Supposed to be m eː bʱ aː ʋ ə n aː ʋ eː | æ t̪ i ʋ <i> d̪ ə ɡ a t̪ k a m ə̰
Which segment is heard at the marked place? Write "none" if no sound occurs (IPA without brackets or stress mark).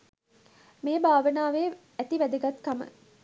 æ